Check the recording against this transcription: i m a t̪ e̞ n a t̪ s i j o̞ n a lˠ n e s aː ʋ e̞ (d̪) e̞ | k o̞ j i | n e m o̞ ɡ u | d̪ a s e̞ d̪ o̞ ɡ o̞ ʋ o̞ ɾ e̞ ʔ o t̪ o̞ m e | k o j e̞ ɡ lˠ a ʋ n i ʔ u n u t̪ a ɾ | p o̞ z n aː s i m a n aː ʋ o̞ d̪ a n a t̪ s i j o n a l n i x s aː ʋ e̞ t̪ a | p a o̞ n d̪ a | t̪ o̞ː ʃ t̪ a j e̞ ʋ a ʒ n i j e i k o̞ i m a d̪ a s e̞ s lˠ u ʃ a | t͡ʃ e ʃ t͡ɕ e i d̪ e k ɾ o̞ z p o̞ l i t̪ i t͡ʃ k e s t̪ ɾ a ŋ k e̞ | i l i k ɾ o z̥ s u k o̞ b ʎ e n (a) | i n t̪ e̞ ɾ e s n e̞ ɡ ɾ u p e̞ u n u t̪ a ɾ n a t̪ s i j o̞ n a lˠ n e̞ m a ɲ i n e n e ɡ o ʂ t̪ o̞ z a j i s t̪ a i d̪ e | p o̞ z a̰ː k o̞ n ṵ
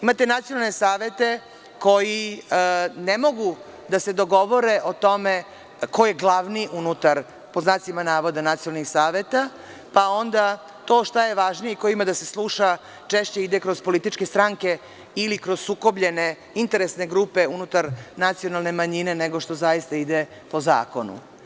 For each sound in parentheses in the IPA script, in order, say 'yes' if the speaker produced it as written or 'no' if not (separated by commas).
no, no